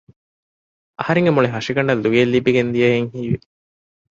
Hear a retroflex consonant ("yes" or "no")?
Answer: yes